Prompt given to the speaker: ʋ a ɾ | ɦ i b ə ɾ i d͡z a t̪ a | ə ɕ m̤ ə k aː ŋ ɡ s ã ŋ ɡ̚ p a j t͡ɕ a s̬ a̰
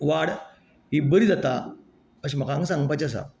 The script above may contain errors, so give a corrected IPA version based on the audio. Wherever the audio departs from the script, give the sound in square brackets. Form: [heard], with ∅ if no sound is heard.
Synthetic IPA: ʋ a [ɽ] | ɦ i b ə ɾ i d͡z a t̪ a | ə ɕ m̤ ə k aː ŋ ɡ s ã ŋ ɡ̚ p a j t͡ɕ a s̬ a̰

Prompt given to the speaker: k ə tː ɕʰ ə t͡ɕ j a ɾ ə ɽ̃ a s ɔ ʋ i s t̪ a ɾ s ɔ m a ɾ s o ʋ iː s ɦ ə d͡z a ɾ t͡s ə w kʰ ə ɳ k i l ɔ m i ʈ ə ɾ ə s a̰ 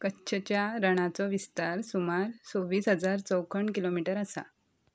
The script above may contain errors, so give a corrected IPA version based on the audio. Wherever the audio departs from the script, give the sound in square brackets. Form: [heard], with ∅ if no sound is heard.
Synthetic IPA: k ə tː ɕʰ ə t͡ɕ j a ɾ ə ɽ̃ a [t͡s] ɔ ʋ i s t̪ a ɾ s [u] m a ɾ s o ʋ iː s ɦ ə d͡z a ɾ t͡s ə w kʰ ə ɳ k i l [o] m i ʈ ə ɾ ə s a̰

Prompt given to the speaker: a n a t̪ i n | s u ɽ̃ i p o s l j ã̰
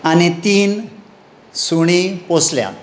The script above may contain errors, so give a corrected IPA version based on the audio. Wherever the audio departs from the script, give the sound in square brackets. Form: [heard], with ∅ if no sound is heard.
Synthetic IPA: a n [i] t̪ [iː] n | s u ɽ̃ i p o s l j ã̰

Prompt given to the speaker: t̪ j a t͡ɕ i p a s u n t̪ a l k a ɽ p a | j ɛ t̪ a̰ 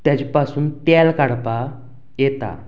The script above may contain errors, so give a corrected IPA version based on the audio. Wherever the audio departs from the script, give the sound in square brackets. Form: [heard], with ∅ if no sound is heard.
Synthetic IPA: t̪ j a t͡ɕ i p a s [uː] n t̪ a l k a ɽ p a | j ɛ t̪ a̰

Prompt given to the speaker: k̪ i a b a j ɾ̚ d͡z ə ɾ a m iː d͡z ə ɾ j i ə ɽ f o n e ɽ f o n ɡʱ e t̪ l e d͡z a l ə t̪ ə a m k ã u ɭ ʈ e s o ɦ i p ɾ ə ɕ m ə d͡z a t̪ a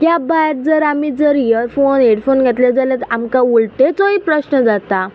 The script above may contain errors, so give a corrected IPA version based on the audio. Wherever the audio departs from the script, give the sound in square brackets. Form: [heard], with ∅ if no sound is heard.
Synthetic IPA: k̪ [j] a b a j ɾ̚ d͡z ə ɾ a m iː d͡z ə ɾ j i ə [ɾ] f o n e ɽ f o n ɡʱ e t̪ l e d͡z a l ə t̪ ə a m k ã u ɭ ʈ e [t͡s] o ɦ i p ɾ ə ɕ [n] ə d͡z a t̪ a

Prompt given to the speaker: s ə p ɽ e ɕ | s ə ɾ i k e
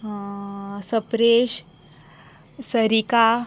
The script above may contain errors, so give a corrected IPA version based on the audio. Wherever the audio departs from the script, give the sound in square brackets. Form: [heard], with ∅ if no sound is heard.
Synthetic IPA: s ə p [ɾ] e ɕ | s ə ɾ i k [a]

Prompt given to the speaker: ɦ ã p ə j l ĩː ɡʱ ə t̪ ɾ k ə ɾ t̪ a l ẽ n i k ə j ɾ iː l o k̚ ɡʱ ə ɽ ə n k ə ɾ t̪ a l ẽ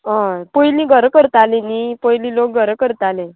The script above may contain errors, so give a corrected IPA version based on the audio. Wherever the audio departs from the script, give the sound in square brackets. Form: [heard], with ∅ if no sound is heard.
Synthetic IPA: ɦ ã p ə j l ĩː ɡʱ ə [∅] ɾ k ə ɾ t̪ a l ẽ n i [p] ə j [l] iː l o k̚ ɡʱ ə [ɾ] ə [∅] k ə ɾ t̪ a l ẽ

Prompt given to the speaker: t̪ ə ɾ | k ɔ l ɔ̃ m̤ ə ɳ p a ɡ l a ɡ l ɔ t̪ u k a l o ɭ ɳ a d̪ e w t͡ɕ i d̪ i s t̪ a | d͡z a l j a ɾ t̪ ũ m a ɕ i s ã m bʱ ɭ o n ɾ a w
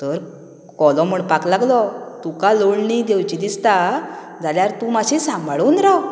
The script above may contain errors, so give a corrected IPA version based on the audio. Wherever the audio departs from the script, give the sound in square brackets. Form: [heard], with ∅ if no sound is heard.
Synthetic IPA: t̪ ə ɾ | k ɔ l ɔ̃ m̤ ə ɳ p a [k] l a ɡ l ɔ t̪ u k a l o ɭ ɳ [i] d̪ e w t͡ɕ i d̪ i s t̪ a | d͡z a l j a ɾ t̪ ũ m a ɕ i s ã m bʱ ɭ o n ɾ a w

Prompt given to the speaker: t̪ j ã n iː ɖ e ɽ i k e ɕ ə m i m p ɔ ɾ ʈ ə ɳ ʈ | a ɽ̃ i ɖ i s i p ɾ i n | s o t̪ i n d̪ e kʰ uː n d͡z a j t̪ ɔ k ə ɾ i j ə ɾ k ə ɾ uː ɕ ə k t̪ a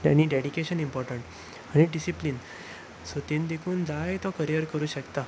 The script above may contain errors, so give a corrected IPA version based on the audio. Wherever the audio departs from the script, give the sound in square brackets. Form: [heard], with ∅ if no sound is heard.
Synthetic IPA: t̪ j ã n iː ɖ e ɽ i k e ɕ ə [n] i m p ɔ ɾ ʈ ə ɳ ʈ | a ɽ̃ i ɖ i s i p [l] i n | s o t̪ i n d̪ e kʰ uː n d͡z a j t̪ ɔ k ə ɾ i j ə ɾ k ə ɾ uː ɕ ə k t̪ a

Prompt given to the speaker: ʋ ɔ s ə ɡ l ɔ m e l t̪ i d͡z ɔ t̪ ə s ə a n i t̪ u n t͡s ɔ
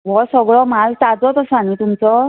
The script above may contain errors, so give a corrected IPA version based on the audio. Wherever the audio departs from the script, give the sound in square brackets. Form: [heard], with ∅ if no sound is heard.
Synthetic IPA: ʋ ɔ s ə ɡ [ɭ] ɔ m [a] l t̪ [a] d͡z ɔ t̪ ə s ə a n i t̪ u [m] t͡s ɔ

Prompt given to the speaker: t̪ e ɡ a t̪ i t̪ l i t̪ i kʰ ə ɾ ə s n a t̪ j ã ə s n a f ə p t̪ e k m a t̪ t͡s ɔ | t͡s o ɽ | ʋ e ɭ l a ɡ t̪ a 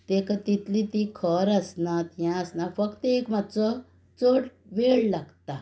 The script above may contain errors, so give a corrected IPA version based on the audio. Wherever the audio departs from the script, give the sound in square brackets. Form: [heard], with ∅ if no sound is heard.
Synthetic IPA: t̪ e [k] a t̪ i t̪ l i t̪ i kʰ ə ɾ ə s n a t̪ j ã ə s n a f ə [k] t̪ e k m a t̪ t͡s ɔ | t͡s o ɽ | ʋ e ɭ l a ɡ t̪ a

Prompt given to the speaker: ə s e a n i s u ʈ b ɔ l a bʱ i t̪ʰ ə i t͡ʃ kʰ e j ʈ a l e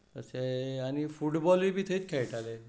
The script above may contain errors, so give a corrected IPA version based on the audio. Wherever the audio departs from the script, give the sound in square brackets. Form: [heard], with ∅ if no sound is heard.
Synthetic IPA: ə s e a n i [f] u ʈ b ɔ l [i] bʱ i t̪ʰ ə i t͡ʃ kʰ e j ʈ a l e

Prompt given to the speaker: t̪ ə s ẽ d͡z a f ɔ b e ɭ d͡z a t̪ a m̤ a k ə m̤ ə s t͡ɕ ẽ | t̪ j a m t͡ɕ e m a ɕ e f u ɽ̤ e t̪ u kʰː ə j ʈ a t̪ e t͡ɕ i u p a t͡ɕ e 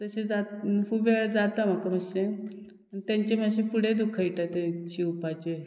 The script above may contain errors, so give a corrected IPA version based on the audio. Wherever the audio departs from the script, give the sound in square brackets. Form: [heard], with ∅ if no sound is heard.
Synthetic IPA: t̪ ə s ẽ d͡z a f [u] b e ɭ d͡z a t̪ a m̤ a k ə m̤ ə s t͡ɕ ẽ | t̪ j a [ɲ] t͡ɕ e m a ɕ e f u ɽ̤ e [d̪] u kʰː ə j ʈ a t̪ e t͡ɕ i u p a t͡ɕ e

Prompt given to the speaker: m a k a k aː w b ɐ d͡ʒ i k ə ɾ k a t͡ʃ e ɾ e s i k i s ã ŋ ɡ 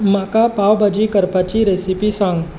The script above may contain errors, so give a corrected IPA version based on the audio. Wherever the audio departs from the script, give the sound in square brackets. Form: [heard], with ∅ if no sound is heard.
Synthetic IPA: m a k a [p] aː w b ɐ d͡ʒ i k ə ɾ [p] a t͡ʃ [i] ɾ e s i [p] i s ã ŋ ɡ

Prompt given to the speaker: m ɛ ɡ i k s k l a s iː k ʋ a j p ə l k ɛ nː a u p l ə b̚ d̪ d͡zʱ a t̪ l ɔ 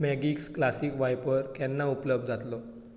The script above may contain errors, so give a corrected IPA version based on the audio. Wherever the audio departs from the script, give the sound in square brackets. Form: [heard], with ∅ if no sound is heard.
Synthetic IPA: m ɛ ɡ i k s k l a s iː k ʋ a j p ə [ɾ] k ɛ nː a u p l ə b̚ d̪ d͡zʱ a t̪ l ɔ

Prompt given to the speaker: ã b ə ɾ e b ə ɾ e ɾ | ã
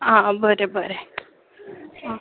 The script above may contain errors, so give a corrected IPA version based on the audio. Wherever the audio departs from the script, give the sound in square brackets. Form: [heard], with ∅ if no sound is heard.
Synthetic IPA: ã b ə ɾ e b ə ɾ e [∅] | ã

